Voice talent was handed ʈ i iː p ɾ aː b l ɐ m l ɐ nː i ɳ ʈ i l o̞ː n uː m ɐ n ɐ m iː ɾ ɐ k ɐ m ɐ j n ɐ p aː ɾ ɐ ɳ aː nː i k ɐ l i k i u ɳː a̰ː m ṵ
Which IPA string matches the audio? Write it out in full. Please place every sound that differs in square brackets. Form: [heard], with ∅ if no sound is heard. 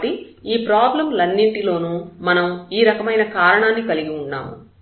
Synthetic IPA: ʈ i iː p ɾ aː b l ɐ m l ɐ nː i ɳ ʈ i l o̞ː n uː m ɐ n ɐ m iː ɾ ɐ k ɐ m ɐ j n ɐ [k] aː ɾ ɐ ɳ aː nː i k ɐ l i [ɡ] i u ɳː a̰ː m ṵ